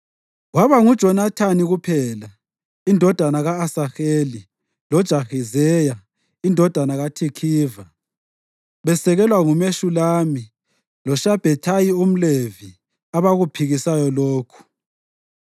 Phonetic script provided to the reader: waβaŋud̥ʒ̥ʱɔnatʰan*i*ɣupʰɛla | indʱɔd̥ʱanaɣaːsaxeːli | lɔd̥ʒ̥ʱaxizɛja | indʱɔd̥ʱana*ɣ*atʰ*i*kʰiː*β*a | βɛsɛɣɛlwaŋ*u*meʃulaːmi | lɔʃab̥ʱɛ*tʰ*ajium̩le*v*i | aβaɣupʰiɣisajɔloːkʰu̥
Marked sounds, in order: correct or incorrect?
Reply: correct, correct, correct, incorrect: v, correct, correct, correct

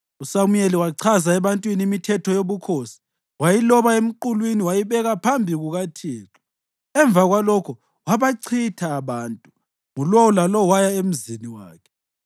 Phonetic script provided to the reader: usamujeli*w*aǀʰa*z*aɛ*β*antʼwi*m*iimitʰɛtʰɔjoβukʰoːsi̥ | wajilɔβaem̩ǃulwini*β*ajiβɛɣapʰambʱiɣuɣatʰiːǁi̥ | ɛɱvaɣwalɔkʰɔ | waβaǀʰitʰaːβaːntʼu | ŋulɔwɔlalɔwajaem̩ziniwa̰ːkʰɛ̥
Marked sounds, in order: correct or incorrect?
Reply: correct, correct, correct, incorrect: n, incorrect: w

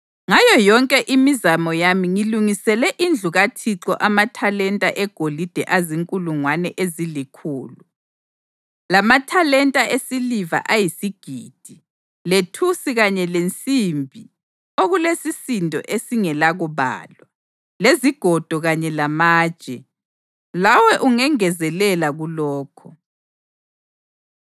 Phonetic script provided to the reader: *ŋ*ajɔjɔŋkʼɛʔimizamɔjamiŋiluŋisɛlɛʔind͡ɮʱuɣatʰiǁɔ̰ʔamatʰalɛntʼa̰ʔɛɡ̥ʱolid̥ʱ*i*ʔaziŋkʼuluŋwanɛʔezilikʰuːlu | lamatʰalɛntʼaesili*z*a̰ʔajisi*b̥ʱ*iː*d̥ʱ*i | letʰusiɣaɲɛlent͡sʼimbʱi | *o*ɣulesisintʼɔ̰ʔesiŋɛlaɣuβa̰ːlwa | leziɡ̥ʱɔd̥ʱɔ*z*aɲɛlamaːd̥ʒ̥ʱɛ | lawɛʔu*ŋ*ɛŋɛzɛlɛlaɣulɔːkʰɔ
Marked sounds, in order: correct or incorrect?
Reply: correct, incorrect: ɛ, incorrect: v, incorrect: ɡ̥ʱ, correct, correct, incorrect: ɣ, correct

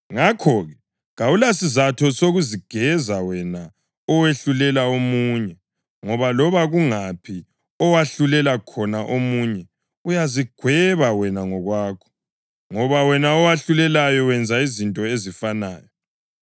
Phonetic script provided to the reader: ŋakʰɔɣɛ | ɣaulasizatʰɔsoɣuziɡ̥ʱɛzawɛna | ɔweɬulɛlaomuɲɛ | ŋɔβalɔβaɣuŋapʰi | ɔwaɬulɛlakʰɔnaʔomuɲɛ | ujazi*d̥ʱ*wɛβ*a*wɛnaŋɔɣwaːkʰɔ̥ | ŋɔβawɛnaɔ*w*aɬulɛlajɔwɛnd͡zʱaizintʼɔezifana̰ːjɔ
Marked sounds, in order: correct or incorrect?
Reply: incorrect: ɡ̥ʱ, correct, correct

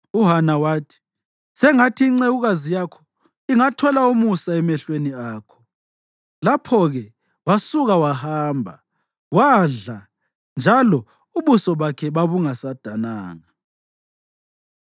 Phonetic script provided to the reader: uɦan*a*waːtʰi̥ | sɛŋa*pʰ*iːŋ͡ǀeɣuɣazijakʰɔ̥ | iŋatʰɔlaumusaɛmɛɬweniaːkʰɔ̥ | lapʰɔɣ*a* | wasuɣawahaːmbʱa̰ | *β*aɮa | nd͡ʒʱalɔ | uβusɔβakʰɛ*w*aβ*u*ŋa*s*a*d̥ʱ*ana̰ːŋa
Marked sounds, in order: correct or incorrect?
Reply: correct, incorrect: tʰ, incorrect: ɛ, incorrect: w, incorrect: β, correct, correct, correct

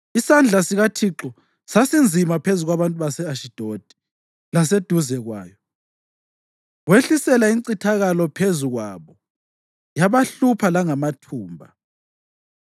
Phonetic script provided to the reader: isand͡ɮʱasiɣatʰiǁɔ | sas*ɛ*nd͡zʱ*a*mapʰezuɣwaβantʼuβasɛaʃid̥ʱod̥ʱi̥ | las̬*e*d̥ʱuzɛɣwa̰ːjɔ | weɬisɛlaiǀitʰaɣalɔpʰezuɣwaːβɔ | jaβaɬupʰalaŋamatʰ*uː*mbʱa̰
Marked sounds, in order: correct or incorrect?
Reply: incorrect: i, incorrect: i, correct, correct

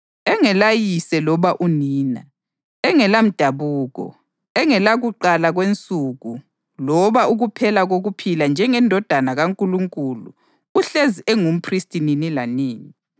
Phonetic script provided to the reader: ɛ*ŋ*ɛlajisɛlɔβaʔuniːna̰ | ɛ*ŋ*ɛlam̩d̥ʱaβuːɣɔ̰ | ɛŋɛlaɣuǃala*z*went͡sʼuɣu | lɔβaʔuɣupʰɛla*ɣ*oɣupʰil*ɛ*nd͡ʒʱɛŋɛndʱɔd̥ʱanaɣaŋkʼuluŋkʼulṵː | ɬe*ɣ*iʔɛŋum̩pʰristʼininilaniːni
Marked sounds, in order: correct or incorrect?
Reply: correct, correct, incorrect: ɣ, correct, incorrect: a, incorrect: z

